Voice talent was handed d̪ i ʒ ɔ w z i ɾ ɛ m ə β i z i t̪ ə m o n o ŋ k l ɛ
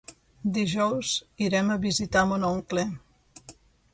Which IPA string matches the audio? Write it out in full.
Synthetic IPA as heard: d̪ i ʒ ɔ w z i ɾ ɛ m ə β i z i t̪ a m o n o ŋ k l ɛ